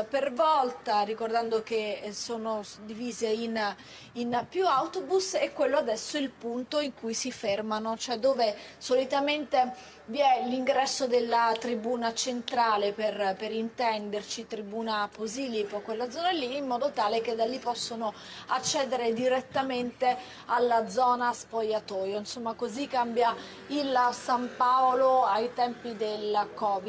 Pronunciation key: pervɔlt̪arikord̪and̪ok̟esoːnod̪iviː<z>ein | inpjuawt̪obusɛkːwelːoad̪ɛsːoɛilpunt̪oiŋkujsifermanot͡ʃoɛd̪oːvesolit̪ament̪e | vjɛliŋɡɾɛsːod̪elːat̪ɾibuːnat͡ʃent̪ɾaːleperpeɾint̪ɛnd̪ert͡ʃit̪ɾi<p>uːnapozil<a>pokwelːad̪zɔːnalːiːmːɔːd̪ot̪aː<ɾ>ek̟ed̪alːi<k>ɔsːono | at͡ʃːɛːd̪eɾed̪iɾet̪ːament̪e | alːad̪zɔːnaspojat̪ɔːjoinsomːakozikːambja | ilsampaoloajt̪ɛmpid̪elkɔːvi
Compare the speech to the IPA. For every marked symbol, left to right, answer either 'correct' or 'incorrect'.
correct, incorrect: b, incorrect: i, incorrect: l, incorrect: p

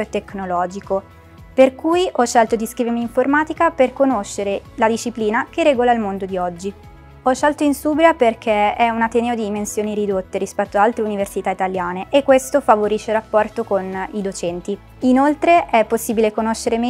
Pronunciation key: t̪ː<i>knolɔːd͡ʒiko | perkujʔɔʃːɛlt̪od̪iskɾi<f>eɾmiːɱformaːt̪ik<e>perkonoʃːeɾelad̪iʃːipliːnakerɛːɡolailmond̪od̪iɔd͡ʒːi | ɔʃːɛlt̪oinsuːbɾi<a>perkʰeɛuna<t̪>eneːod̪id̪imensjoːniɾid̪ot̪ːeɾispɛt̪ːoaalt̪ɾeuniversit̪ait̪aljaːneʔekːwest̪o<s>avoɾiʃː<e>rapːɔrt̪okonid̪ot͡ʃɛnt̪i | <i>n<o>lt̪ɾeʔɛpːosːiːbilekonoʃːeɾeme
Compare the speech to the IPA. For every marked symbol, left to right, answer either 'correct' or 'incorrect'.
incorrect: e, incorrect: v, incorrect: a, correct, correct, incorrect: f, correct, correct, correct

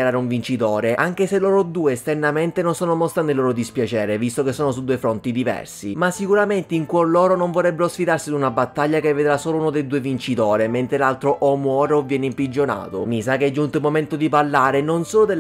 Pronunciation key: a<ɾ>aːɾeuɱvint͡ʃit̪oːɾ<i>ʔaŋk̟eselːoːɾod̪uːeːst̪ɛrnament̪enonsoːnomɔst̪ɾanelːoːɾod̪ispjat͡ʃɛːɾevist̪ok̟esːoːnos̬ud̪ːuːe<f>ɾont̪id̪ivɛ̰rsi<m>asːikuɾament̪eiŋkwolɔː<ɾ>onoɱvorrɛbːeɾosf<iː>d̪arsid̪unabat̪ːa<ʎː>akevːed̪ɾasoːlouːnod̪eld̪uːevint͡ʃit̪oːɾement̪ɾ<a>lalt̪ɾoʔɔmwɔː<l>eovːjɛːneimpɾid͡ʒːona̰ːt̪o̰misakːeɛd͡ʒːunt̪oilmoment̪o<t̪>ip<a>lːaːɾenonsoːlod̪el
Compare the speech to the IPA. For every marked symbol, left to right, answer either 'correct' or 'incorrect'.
correct, incorrect: e, correct, correct, correct, incorrect: i, correct, incorrect: e, incorrect: ɾ, incorrect: d̪, correct

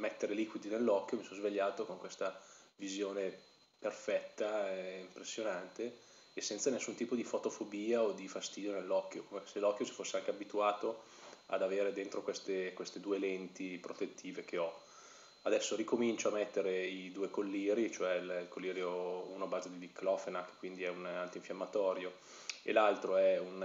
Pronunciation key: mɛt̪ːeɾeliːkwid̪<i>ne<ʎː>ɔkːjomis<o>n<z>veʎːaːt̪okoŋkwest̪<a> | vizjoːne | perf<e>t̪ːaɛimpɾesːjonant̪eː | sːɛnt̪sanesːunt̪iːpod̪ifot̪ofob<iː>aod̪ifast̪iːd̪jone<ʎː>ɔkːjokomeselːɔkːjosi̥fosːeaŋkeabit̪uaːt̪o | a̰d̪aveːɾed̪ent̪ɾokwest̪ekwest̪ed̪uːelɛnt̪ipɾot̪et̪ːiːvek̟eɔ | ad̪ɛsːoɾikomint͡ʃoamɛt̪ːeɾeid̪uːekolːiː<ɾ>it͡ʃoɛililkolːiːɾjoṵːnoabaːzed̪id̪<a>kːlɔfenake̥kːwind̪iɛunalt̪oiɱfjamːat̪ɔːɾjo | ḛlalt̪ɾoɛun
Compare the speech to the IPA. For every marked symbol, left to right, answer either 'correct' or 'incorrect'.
correct, incorrect: lː, incorrect: ɔ, correct, correct, incorrect: ɛ, correct, incorrect: lː, correct, incorrect: i

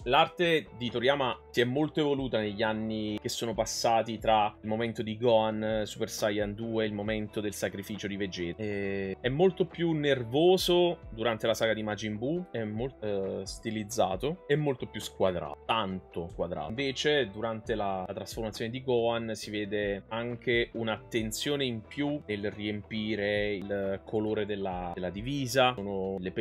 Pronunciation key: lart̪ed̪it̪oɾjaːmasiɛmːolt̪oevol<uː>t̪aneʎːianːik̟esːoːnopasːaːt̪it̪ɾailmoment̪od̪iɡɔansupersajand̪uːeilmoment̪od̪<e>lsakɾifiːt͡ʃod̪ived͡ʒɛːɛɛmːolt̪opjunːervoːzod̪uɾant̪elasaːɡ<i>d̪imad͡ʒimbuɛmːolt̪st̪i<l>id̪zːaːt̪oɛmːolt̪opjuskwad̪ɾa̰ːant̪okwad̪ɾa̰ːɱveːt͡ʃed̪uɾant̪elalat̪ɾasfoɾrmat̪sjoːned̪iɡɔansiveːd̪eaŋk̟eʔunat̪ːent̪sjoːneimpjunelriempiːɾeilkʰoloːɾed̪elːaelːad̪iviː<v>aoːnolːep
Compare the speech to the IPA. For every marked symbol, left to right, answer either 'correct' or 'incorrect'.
correct, correct, incorrect: a, correct, incorrect: z

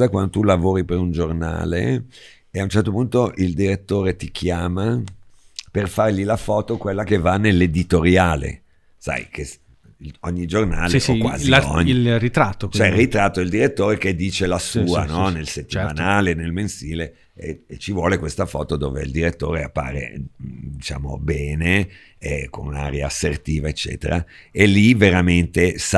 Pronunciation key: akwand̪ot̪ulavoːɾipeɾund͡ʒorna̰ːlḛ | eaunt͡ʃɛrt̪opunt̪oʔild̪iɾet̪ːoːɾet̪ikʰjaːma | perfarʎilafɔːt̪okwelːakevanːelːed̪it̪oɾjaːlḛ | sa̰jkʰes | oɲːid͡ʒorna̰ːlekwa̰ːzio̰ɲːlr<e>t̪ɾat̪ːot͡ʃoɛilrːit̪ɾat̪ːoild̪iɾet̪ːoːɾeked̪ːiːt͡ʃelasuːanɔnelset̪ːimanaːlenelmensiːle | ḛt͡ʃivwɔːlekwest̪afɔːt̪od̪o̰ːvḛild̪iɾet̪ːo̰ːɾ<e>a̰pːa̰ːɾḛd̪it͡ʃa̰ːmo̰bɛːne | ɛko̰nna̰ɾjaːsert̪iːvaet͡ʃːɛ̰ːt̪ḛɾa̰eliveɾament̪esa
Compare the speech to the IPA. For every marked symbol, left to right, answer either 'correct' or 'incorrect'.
incorrect: i, correct

